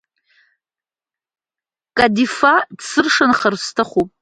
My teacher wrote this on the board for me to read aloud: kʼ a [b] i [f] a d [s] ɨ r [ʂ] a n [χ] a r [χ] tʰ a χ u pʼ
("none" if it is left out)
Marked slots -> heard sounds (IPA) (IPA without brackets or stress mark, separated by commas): d, f, s, ʂ, χ, s